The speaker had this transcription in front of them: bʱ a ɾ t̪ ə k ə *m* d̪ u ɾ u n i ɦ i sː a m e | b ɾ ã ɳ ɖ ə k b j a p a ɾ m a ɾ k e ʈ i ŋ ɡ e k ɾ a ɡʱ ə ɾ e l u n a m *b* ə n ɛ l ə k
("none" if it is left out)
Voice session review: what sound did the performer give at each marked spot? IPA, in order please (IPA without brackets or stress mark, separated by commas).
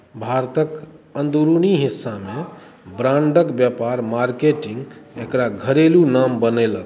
n, b